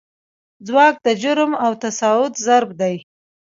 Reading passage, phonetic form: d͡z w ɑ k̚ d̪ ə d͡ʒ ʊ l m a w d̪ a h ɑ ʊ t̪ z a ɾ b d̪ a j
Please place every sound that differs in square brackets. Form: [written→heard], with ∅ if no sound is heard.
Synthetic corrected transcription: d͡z w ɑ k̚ d̪ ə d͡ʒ ʊ [l→ɾ] m a w [d̪→t̪] a [h→s] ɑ ʊ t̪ z a ɾ b d̪ a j